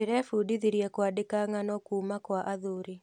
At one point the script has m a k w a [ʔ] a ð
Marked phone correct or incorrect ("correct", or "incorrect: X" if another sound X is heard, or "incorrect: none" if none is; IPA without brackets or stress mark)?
correct